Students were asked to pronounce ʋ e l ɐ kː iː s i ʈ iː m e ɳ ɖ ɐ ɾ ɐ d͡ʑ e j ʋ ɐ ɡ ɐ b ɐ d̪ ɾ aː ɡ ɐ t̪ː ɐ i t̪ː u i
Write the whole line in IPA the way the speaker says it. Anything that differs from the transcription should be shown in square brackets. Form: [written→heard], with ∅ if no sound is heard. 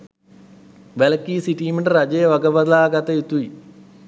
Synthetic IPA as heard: ʋ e l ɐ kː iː s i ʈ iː m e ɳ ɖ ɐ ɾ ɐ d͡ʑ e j ʋ ɐ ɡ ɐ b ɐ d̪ [ɾ→l] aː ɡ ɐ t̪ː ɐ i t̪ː u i